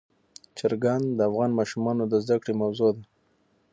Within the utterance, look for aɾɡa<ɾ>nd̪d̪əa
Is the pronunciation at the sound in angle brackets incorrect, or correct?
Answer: incorrect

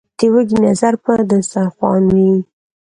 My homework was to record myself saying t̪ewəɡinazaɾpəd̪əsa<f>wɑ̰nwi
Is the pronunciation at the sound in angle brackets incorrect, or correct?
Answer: incorrect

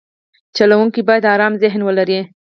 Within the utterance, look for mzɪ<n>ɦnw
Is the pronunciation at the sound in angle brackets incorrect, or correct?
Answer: incorrect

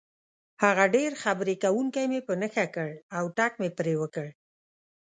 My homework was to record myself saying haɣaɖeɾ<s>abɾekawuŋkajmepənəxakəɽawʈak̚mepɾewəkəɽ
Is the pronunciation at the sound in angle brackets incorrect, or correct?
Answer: incorrect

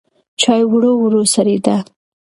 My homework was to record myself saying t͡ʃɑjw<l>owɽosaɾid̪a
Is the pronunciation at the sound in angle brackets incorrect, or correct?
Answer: incorrect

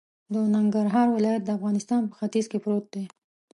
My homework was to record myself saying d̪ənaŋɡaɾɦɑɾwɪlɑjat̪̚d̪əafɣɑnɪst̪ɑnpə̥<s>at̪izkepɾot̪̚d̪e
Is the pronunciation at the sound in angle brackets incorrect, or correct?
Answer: incorrect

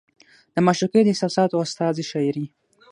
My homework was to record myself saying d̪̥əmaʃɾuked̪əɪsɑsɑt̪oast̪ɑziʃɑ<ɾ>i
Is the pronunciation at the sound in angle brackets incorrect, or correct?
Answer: correct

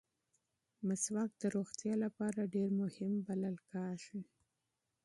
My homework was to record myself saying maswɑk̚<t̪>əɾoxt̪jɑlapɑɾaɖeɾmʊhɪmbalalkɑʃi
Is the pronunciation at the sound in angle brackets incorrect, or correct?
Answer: incorrect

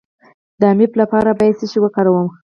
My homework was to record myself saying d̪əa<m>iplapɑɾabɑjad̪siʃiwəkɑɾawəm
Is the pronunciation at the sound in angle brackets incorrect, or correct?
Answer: correct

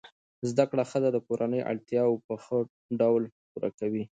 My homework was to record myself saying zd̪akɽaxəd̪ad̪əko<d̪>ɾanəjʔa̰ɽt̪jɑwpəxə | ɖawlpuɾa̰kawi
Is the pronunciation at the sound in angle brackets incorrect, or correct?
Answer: incorrect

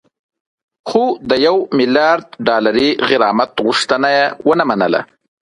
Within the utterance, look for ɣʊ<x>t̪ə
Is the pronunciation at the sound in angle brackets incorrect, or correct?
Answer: incorrect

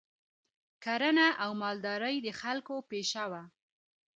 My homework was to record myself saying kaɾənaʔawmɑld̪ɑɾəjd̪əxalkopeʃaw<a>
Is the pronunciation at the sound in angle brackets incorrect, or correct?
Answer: correct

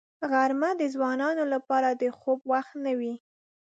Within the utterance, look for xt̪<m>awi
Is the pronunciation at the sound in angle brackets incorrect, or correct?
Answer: incorrect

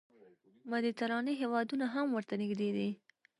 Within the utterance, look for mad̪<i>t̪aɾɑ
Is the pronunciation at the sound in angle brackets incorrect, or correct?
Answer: correct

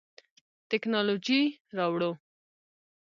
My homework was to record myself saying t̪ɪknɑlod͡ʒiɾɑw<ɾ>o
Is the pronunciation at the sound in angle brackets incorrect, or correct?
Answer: incorrect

